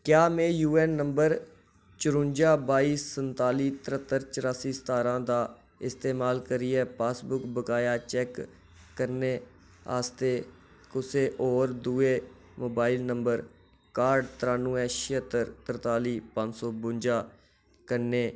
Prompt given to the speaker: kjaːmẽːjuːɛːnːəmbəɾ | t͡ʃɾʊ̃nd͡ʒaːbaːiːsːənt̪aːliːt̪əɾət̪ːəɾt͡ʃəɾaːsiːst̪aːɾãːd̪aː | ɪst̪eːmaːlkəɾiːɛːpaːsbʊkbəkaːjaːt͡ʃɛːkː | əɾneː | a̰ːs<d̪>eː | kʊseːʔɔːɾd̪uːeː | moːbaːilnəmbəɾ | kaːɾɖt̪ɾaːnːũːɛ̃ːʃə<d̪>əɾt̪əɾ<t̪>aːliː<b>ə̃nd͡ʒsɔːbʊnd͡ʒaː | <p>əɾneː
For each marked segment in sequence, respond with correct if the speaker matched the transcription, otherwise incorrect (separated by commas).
incorrect, incorrect, correct, incorrect, incorrect